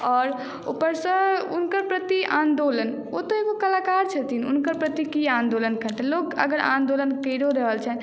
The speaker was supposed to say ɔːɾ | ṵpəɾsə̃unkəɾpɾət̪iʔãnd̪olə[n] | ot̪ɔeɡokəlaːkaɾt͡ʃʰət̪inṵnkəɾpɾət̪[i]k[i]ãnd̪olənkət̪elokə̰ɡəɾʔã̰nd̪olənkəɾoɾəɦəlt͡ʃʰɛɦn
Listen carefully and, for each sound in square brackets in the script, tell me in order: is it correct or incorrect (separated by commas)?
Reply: correct, correct, correct